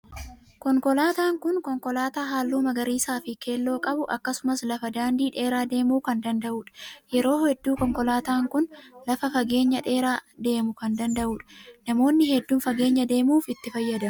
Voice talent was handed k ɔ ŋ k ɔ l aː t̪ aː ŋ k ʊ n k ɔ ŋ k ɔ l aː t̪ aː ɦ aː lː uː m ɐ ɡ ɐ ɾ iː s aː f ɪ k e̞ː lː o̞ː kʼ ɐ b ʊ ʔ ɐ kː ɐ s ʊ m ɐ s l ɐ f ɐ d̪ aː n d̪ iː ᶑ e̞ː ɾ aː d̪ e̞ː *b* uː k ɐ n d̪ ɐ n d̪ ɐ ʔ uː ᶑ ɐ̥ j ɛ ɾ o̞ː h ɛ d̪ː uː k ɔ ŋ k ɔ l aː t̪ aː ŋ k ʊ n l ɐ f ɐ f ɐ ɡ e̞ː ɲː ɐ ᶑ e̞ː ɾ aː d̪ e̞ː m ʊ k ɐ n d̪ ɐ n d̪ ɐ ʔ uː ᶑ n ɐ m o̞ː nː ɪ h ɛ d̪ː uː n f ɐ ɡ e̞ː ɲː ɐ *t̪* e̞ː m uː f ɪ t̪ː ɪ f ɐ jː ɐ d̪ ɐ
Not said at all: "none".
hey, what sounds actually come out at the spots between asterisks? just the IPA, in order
m, d̪

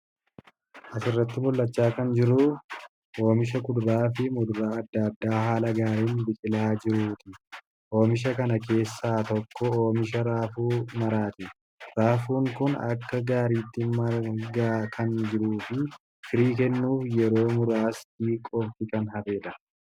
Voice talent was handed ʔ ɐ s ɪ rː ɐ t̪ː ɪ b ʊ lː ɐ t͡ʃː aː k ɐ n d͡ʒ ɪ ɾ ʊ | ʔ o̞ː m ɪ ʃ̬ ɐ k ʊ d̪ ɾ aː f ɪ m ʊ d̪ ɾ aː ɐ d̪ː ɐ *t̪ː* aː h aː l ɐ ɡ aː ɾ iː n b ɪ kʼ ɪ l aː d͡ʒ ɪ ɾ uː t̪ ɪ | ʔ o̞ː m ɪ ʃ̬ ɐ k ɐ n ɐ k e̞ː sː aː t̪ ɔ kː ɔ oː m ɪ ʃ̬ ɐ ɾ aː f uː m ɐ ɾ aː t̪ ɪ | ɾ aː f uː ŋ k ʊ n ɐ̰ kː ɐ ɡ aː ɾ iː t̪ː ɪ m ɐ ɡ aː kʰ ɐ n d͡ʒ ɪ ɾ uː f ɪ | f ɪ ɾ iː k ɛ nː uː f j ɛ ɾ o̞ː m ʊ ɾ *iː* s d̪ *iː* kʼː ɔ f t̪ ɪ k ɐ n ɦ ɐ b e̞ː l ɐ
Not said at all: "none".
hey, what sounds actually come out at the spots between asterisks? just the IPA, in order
d̪ː, aː, iː

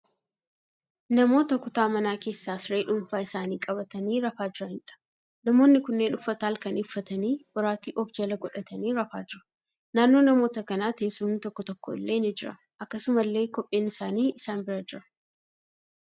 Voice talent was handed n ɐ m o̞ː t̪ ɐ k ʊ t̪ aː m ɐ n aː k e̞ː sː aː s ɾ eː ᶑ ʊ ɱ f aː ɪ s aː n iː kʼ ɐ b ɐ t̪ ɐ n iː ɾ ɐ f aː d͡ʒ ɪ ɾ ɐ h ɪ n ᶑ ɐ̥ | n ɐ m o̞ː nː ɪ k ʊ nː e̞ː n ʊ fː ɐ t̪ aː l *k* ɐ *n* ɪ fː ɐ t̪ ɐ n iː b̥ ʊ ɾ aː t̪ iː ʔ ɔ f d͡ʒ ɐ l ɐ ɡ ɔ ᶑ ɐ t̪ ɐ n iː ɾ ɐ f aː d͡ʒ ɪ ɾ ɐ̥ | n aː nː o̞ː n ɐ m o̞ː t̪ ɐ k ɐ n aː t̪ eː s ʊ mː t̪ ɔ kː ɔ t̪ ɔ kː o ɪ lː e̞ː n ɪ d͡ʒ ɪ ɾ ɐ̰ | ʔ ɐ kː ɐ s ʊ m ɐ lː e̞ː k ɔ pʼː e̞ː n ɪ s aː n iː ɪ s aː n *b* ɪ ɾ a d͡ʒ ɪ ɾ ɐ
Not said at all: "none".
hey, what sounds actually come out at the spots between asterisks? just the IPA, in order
k, n, b

